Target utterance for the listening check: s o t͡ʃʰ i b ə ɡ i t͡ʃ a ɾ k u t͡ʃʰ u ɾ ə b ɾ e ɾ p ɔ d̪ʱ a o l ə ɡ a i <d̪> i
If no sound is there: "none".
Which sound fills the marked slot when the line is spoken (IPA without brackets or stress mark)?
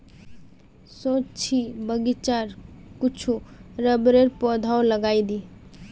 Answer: d̪